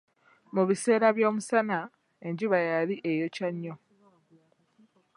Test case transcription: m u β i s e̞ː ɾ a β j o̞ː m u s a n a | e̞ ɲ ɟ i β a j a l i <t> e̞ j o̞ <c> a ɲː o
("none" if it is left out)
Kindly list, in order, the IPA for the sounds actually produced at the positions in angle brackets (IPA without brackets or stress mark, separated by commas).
ʔ, c